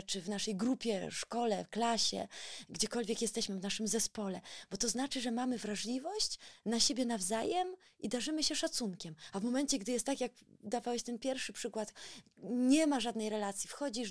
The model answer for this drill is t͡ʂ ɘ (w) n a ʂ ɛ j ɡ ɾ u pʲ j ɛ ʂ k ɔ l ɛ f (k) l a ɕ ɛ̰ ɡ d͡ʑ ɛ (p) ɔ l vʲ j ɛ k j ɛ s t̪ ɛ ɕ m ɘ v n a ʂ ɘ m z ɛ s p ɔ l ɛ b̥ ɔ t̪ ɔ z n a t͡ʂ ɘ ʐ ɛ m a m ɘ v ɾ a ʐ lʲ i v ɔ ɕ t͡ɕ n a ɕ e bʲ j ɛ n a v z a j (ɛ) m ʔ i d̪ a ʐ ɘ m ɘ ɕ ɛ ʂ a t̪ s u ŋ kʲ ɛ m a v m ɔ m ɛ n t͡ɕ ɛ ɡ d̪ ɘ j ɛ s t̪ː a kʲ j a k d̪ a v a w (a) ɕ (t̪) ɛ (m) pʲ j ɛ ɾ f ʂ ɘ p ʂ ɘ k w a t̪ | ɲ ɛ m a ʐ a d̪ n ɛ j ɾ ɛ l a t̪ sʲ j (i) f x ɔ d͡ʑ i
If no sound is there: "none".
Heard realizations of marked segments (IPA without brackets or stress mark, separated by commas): v, k, k, ɛ, ɛ, t̪, n, i